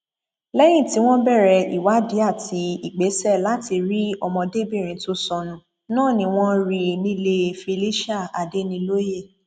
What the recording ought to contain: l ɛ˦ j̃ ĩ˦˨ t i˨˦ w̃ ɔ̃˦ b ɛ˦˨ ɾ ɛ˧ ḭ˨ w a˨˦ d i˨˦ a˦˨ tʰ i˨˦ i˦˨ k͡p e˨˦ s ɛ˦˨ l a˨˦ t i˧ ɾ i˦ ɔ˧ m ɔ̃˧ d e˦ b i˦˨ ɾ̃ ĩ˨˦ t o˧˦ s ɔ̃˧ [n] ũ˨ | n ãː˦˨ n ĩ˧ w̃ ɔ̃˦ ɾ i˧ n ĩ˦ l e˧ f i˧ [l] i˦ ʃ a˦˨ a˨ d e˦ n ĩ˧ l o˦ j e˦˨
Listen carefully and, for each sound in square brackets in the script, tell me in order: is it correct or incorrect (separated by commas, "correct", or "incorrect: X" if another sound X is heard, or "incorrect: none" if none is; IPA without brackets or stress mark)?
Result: correct, correct